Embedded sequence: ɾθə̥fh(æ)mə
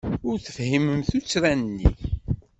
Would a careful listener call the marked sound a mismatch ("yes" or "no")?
yes